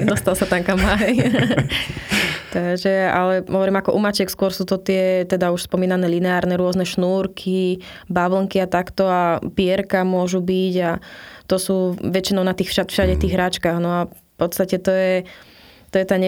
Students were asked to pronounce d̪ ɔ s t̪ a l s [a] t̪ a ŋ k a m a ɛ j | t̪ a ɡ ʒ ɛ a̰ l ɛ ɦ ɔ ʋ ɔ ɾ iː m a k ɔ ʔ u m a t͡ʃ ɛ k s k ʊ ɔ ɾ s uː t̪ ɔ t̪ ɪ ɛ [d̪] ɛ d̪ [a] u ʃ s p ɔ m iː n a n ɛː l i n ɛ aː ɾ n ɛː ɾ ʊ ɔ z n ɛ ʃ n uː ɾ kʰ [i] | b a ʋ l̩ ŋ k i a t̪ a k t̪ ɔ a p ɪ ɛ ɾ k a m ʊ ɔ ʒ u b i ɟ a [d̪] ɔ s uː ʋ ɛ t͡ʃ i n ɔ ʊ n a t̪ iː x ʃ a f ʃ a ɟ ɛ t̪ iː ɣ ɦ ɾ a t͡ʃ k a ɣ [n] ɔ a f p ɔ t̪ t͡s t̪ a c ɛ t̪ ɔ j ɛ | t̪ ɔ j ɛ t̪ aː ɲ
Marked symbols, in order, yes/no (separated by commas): yes, no, yes, yes, no, yes